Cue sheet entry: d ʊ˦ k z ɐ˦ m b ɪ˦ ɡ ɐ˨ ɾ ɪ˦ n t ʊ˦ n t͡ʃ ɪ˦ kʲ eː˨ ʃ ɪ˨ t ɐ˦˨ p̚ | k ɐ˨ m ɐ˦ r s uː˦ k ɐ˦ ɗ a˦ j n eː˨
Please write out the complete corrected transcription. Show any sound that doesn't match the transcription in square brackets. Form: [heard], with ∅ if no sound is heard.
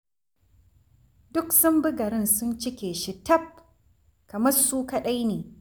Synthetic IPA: d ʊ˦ k [s] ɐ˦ m b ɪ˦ ɡ ɐ˨ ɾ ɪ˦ n [s] ʊ˦ n t͡ʃ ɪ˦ kʲ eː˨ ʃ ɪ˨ t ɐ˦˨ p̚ | k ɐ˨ m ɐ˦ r s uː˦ k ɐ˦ ɗ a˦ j n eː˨